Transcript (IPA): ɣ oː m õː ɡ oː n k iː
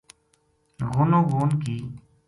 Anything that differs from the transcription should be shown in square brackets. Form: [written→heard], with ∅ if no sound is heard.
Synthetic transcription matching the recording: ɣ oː [m→n] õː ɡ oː n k iː